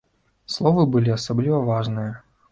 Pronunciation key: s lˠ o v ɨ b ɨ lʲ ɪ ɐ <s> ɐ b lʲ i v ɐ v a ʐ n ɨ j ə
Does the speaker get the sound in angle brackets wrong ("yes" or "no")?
no